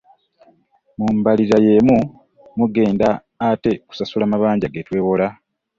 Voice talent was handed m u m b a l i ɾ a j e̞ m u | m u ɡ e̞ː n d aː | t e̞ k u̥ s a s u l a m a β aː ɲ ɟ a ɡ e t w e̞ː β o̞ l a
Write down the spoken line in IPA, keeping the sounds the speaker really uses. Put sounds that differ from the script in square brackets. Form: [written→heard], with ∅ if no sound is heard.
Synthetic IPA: m u m b a l i ɾ a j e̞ m u | m u ɡ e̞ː n d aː | t e̞ k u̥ s a s u l a m a β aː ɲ ɟ a ɡ e t w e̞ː β o̞ l a